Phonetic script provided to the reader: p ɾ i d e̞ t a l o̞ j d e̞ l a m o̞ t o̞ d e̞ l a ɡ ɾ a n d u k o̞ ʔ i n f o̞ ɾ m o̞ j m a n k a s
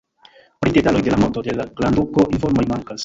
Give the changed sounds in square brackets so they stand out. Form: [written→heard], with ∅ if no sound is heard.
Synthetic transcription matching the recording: p ɾ i d e̞ t a l o̞ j d e̞ l a m o̞ t o̞ d e̞ l a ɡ [ɾ→l] a n d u k o̞ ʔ i n f o̞ ɾ m o̞ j m a [n→ŋ] k a s